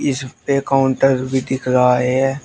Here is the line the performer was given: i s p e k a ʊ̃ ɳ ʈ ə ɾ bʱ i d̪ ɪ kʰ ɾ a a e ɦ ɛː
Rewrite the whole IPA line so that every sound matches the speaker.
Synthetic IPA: ɪ s p e k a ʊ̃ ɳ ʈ ə ɾ bʱ i d̪ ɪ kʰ ɾ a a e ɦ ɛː